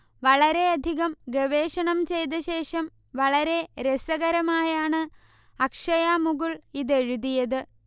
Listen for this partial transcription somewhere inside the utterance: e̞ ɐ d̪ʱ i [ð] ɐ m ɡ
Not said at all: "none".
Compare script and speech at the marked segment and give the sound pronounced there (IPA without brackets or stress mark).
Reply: ɣ